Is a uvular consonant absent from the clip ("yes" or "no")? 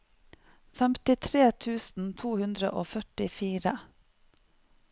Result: yes